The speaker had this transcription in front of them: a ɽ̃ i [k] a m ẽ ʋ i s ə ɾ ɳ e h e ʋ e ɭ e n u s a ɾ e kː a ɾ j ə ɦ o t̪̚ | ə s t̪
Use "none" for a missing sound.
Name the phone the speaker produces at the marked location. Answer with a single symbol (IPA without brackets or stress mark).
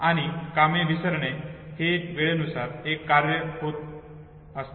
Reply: k